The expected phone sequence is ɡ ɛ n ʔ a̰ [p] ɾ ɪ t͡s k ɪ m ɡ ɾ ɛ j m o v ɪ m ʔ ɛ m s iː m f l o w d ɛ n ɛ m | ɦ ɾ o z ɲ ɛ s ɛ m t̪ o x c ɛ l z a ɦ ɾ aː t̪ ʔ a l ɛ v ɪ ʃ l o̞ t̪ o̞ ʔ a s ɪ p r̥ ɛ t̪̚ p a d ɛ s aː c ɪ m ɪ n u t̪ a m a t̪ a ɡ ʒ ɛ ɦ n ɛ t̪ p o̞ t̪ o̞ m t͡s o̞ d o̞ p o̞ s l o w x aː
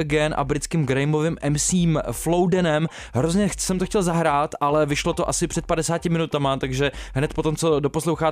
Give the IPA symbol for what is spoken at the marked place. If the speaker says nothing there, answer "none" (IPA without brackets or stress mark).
b